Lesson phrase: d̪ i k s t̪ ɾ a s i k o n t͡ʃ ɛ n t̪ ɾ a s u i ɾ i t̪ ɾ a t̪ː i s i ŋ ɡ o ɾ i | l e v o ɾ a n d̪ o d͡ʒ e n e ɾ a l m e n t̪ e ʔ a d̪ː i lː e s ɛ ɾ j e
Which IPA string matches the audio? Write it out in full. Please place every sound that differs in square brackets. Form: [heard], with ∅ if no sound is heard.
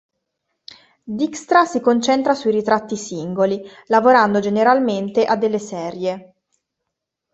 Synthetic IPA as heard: d̪ i k s t̪ ɾ a s i k o n t͡ʃ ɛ n t̪ ɾ a s u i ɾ i t̪ ɾ a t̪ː i s i ŋ ɡ o [l] i | l [a] v o ɾ a n d̪ o d͡ʒ e n e ɾ a l m e n t̪ e ʔ a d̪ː [e] lː e s ɛ ɾ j e